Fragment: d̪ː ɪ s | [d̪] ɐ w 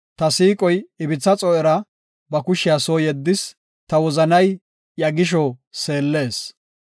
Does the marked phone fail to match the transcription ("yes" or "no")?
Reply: yes